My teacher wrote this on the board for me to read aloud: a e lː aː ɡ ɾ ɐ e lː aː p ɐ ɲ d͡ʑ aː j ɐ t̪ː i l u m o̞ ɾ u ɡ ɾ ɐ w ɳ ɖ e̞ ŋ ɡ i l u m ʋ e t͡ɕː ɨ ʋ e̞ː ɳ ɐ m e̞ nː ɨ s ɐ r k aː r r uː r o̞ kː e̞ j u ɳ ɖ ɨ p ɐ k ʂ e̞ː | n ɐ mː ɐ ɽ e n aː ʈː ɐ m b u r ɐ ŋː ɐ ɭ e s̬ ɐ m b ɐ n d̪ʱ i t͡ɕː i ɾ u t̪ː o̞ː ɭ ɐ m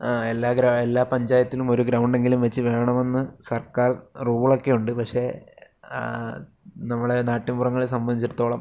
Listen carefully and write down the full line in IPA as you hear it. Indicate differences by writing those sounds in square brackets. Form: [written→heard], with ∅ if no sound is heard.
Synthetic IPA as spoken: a e lː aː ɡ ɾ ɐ e lː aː p ɐ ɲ d͡ʑ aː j ɐ t̪ː i l u m o̞ ɾ u ɡ ɾ ɐ w ɳ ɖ e̞ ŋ ɡ i l u m ʋ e t͡ɕː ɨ ʋ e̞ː ɳ ɐ m e̞ nː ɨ s ɐ r k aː r r uː [r→ɭ] o̞ kː e̞ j u ɳ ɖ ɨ p ɐ k ʂ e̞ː | n ɐ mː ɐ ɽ e n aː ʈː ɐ m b u r ɐ ŋː ɐ ɭ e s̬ ɐ m b ɐ n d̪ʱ i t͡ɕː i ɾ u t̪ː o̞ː ɭ ɐ m